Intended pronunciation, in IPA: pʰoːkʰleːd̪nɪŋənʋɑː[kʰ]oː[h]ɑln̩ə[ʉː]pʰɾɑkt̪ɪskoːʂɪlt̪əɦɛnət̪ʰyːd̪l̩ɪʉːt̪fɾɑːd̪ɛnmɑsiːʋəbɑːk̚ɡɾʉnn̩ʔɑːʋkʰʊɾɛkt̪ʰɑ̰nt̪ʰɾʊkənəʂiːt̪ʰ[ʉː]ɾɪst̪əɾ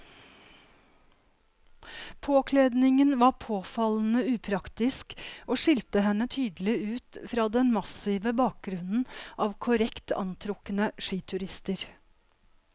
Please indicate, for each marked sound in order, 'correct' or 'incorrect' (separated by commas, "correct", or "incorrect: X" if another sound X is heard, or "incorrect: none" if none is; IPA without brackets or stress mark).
incorrect: pʰ, incorrect: f, correct, incorrect: ʉ